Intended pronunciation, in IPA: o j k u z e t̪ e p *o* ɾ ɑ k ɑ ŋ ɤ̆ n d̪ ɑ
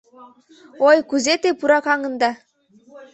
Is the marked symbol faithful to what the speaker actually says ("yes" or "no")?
no